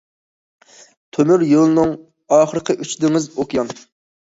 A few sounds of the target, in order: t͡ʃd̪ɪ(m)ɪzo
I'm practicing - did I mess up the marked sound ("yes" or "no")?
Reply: yes